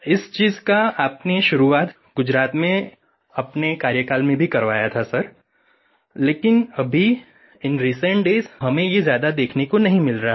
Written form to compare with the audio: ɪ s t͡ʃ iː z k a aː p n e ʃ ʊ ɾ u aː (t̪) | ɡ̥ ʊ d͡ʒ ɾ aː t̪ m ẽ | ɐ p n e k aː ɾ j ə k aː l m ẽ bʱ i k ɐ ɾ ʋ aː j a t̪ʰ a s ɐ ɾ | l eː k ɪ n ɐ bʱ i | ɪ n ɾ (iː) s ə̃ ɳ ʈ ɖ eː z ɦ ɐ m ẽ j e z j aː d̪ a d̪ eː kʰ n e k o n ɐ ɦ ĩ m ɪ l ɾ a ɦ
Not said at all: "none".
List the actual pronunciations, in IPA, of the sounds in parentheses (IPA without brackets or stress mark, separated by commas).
t̪, iː